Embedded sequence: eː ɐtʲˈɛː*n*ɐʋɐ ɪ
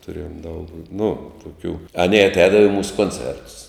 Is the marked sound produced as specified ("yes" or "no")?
no